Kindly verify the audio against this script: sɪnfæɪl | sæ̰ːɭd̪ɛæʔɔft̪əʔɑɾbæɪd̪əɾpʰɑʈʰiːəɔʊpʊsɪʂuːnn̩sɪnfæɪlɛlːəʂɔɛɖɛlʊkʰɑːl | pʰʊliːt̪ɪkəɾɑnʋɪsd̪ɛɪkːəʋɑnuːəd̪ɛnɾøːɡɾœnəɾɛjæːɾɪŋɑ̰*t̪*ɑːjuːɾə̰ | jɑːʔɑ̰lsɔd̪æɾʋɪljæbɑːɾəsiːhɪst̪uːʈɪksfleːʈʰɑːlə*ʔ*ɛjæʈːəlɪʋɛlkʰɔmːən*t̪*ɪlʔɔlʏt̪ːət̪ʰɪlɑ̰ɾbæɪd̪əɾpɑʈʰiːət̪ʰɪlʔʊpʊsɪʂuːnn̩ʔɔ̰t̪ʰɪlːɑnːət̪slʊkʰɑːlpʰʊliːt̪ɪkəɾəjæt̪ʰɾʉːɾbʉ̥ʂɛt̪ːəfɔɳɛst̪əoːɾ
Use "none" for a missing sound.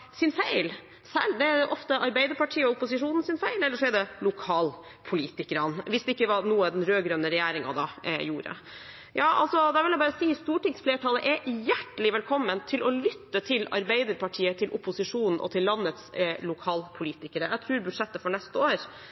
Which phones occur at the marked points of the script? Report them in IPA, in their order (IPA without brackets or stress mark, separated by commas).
d̪, ʔ, t̪ʰ